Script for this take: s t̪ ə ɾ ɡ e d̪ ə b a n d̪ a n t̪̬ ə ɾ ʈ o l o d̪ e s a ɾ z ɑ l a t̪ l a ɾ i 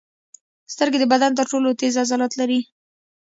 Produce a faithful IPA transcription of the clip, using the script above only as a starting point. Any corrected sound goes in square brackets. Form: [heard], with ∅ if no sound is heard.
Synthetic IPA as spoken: s t̪ ə ɾ ɡ e d̪ ə b a [∅] d̪ a n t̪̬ ə ɾ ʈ o l o [t̪] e [z] a [∅] z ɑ l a t̪ l a ɾ i